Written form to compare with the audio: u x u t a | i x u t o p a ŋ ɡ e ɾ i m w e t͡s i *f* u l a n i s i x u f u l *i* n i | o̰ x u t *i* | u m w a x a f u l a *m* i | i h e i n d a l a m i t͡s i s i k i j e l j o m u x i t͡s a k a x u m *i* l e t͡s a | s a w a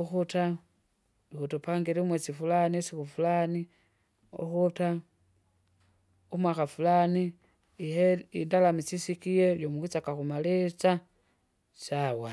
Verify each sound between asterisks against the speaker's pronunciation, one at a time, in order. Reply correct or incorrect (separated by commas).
correct, incorrect, incorrect, incorrect, incorrect